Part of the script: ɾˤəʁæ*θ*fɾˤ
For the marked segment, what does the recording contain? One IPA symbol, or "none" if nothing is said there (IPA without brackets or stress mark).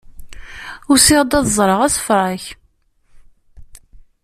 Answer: s